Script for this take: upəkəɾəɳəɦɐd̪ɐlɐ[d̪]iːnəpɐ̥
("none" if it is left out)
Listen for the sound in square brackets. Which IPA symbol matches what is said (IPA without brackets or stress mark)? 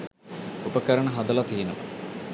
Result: t̪